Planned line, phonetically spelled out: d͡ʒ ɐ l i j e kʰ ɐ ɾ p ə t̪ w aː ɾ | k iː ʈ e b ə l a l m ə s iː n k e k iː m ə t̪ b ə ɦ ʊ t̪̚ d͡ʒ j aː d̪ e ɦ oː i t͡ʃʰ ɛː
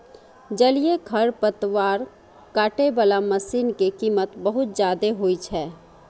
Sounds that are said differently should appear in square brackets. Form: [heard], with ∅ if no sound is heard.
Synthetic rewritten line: d͡ʒ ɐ l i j e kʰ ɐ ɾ p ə t̪ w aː ɾ | k [aː] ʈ e b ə l a [∅] m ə s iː n k e k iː m ə t̪ b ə ɦ ʊ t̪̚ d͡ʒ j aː d̪ e ɦ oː i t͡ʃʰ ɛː

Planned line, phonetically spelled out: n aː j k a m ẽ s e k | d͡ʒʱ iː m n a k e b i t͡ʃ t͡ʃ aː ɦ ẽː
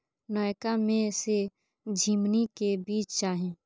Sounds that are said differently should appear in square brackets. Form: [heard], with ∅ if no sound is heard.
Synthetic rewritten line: n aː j k a m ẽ s e [∅] | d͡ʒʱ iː m n [i] k e b [iː] t͡ʃ t͡ʃ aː ɦ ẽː

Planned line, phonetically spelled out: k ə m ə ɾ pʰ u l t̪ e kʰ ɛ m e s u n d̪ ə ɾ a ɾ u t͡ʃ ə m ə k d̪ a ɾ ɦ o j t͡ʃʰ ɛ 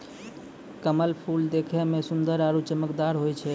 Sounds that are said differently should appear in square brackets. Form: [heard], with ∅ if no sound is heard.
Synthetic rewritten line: k ə m ə [l] pʰ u l [d̪] e kʰ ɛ m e s u n d̪ ə ɾ a ɾ u t͡ʃ ə m ə k d̪ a ɾ ɦ o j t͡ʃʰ ɛ

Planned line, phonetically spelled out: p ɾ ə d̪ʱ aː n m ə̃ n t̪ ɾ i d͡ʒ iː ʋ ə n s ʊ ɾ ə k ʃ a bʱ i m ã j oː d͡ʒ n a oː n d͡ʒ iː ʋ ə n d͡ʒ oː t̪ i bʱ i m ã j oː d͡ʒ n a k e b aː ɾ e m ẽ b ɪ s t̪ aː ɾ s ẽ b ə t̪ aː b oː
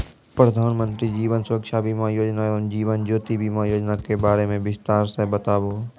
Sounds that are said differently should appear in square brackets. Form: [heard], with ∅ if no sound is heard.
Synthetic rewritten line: p ɾ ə d̪ʱ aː n m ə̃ n t̪ ɾ i d͡ʒ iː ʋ ə n s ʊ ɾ ə k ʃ a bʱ i m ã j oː d͡ʒ n a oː n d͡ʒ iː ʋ ə n d͡ʒ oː t̪ i bʱ i m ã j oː d͡ʒ n a k e b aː ɾ e m ẽ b ɪ s t̪ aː ɾ s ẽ b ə t̪ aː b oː

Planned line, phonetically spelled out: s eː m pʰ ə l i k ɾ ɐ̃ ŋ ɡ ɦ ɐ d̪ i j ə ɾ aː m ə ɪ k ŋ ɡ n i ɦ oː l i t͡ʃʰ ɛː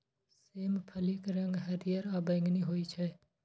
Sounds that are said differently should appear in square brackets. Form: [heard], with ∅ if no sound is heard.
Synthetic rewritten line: s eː m pʰ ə l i k ɾ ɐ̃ ŋ ɡ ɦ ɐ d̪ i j ə ɾ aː [b] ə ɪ [∅] ŋ ɡ n i ɦ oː [∅] i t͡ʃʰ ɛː

